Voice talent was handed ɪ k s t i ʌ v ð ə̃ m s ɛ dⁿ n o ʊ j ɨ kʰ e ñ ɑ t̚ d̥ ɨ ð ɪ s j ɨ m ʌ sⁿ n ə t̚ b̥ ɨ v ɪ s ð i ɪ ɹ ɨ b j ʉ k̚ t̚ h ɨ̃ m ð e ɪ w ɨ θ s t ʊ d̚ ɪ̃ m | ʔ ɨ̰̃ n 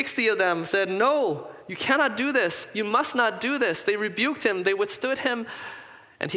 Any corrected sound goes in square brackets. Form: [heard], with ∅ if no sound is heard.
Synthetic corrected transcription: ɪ k s t i ʌ v ð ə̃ m s ɛ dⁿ n o ʊ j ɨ kʰ [æ] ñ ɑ t̚ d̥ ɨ ð ɪ s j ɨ m ʌ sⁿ n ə t̚ [d̥] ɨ [ð] ɪ s ð [e] ɪ ɹ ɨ b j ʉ k̚ t̚ h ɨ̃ m ð e ɪ w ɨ θ s t ʊ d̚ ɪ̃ m | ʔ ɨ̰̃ n